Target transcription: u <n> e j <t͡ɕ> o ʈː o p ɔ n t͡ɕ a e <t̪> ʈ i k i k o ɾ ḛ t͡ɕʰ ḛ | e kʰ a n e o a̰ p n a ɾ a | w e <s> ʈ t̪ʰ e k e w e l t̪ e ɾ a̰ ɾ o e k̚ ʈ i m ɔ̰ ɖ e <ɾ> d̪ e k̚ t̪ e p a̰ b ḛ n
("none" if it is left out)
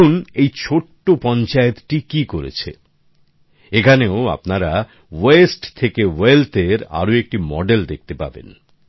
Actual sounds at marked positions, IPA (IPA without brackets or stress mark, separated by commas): n, t͡ɕʰ, t̪, s, l